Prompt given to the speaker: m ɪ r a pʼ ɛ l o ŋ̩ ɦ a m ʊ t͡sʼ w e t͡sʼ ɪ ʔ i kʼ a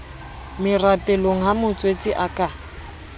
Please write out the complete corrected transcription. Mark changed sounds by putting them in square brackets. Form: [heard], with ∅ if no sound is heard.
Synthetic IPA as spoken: m ɪ r a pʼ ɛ l o ŋ̩ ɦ a m ʊ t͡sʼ w e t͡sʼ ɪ ʔ [a] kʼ a